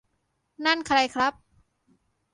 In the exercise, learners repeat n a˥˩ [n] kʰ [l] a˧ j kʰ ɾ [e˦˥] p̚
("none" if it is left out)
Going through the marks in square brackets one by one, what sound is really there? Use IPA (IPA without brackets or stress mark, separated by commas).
n, ɾ, a˦˥